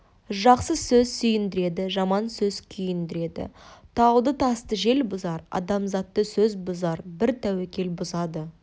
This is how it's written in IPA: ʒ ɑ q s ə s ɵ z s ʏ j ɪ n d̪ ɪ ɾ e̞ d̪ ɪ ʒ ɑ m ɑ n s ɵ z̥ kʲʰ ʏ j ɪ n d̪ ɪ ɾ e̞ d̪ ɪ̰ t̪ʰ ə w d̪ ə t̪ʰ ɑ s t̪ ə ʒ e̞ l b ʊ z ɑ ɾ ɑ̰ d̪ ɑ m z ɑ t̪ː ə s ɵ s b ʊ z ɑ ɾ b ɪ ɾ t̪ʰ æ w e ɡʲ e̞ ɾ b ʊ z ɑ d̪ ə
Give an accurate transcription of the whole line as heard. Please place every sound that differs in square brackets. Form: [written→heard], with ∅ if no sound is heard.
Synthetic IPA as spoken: ʒ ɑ q s ə s ɵ z s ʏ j ɪ n d̪ ɪ ɾ e̞ d̪ ɪ ʒ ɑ m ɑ n s ɵ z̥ kʲʰ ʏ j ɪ n d̪ ɪ ɾ e̞ d̪ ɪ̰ t̪ʰ [ə→ɑ] w d̪ ə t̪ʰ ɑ s t̪ ə ʒ e̞ l b ʊ z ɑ ɾ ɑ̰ d̪ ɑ m z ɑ t̪ː ə s ɵ [s→z] b ʊ z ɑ ɾ b ɪ ɾ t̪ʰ æ w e [ɡʲ→kʲ] e̞ [ɾ→l] b ʊ z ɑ d̪ ə

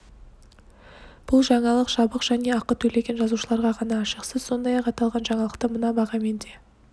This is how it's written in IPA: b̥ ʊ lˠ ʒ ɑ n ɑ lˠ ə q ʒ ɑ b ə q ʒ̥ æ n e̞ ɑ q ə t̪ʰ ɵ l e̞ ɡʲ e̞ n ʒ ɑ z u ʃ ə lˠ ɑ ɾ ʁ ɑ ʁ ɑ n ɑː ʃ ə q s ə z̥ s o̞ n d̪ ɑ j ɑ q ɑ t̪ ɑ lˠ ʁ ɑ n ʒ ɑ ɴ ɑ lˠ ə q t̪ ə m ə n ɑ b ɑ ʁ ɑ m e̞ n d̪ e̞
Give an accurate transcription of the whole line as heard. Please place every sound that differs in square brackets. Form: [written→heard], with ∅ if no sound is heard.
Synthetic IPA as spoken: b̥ ʊ lˠ ʒ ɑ [n→ɴ] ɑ lˠ ə q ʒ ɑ b ə q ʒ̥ æ n e̞ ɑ q ə t̪ʰ ɵ l e̞ ɡʲ e̞ n ʒ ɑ z u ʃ ə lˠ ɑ ɾ ʁ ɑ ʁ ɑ n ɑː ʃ ə q s ə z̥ s o̞ n d̪ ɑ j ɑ q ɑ t̪ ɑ lˠ ʁ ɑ n ʒ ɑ ɴ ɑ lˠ ə q t̪ ə m ə n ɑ b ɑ ʁ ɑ m e̞ n d̪ e̞

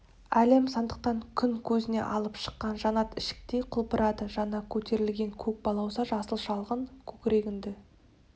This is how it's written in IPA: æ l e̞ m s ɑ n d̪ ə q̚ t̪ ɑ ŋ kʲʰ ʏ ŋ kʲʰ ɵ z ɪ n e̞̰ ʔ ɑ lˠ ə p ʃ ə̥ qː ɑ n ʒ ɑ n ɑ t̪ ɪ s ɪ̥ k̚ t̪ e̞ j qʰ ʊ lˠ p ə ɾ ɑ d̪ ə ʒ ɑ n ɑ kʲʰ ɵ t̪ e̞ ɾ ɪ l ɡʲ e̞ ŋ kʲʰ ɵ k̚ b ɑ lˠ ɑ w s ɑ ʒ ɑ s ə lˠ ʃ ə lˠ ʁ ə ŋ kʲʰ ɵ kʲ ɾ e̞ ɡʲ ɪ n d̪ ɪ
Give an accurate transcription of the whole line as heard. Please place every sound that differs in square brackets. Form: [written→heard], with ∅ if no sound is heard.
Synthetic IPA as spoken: æ l e̞ m s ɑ n d̪ ə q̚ t̪ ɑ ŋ kʲʰ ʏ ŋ kʲʰ ɵ z ɪ n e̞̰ ʔ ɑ lˠ ə p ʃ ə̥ qː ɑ n ʒ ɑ n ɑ t̪ ɪ [s→ʃ] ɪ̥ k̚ t̪ e̞ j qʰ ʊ lˠ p ə ɾ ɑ d̪ ə ʒ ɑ n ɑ kʲʰ ɵ t̪ e̞ ɾ ɪ l ɡʲ e̞ ŋ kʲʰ ɵ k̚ b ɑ lˠ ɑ w s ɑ ʒ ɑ s ə lˠ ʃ [ə→ɑ] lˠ ʁ ə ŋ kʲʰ ɵ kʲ ɾ e̞ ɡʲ ɪ n d̪ ɪ

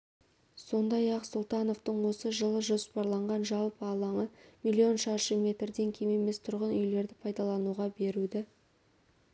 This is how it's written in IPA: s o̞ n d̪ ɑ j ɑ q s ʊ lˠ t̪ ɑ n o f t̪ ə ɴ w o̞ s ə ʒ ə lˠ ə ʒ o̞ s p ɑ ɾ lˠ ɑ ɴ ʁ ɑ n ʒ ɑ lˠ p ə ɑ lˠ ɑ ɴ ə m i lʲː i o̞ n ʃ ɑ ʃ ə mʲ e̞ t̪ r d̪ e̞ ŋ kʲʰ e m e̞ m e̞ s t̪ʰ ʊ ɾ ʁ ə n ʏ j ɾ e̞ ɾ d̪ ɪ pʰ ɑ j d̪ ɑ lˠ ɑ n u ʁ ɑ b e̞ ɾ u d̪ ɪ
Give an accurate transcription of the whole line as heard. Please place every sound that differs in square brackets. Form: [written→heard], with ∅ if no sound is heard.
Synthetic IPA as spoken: s o̞ n d̪ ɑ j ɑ q s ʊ lˠ t̪ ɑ n o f t̪ ə ɴ w o̞ s ə ʒ ə lˠ ə ʒ o̞ s p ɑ ɾ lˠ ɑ ɴ ʁ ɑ n ʒ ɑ lˠ p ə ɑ lˠ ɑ ɴ ə m i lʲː i o̞ n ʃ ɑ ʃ ə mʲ e̞ t̪ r d̪ e̞ ŋ kʲʰ e m e̞ m e̞ s t̪ʰ ʊ ɾ ʁ ə n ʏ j [ɾ→l] e̞ ɾ d̪ ɪ pʰ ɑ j d̪ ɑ lˠ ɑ n u ʁ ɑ b e̞ ɾ u d̪ ɪ

